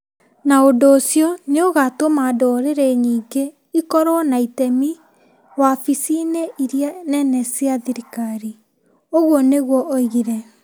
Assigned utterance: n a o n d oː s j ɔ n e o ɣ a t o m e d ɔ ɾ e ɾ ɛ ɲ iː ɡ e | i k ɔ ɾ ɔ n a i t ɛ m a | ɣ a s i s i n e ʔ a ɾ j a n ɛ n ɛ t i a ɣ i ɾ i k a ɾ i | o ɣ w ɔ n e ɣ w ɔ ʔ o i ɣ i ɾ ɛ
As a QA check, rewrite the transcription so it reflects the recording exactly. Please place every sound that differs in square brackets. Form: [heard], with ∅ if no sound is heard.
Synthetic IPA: n a o n d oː s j ɔ n e o ɣ a t o m [a] d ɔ ɾ e ɾ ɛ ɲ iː ɡ e | i k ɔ ɾ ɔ n a i t ɛ m [i] | [w] a [f] i s i n e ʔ [i] ɾ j a n ɛ n ɛ [s] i a [ð] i ɾ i k a ɾ i | o ɣ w ɔ n e ɣ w ɔ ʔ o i ɣ i ɾ ɛ